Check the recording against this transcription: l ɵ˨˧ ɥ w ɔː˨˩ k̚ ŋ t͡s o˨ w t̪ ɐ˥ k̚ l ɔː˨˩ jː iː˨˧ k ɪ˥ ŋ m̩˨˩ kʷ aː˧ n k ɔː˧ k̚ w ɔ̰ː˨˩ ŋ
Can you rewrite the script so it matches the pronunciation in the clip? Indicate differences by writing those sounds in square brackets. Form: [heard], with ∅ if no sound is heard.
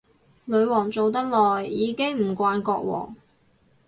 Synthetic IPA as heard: l ɵ˨˧ ɥ w ɔː˨˩ [∅] ŋ t͡s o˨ w t̪ ɐ˥ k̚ l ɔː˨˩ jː iː˨˧ k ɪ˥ ŋ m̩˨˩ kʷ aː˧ n k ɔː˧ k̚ w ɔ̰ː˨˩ ŋ